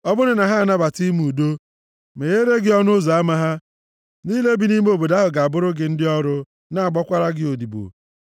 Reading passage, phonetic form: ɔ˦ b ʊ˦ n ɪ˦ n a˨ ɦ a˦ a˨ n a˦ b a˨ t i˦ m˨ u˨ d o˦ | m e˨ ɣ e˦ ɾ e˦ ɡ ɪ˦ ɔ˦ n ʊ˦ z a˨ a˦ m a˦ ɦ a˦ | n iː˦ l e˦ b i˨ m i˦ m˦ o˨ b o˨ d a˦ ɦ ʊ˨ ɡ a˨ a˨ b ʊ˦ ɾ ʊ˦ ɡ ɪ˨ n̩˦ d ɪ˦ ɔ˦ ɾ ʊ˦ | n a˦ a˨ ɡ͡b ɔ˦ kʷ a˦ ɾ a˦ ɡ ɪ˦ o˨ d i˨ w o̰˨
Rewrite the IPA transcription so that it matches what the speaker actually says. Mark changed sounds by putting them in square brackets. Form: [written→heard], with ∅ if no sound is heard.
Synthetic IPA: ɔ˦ b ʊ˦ n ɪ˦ n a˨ ɦ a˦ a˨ n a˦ b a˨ t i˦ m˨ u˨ d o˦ | m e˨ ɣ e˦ ɾ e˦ ɡ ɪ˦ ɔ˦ n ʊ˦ z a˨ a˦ m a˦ ɦ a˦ | n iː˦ l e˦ b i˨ [m→n] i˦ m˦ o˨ b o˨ d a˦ ɦ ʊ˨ ɡ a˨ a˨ b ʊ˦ ɾ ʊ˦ ɡ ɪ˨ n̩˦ d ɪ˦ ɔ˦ ɾ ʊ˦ | n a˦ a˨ ɡ͡b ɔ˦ kʷ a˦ ɾ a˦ ɡ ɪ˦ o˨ d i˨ [w→b] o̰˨